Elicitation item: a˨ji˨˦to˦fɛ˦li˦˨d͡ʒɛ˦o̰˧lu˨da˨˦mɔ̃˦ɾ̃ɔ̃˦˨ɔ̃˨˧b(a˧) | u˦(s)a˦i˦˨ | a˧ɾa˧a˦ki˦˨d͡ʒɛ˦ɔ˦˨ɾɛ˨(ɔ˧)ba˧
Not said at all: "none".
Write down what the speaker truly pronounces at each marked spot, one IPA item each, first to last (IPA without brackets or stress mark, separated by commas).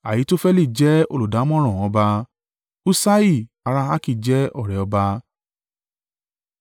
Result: a˧, s, ɔ˧